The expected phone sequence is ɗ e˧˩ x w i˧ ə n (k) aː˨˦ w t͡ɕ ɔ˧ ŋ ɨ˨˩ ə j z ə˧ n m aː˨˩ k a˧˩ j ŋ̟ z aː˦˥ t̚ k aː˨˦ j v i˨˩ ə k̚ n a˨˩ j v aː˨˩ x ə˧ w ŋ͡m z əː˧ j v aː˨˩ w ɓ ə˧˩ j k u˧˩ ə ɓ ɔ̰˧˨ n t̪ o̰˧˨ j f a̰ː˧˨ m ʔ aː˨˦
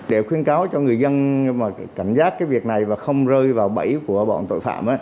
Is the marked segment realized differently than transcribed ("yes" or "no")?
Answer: no